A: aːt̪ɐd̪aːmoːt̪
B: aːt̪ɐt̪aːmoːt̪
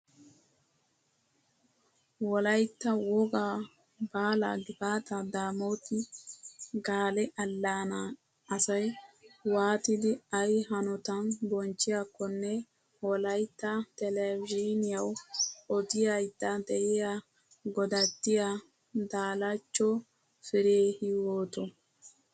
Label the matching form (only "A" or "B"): A